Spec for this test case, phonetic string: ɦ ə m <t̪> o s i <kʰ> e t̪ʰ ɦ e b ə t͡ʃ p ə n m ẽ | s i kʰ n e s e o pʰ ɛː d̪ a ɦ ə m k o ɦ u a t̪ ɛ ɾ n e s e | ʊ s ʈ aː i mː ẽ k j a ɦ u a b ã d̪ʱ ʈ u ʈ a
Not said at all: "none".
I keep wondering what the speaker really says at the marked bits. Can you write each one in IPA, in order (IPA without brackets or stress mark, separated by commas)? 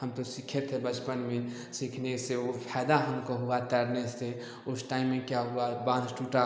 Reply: t̪, kʰ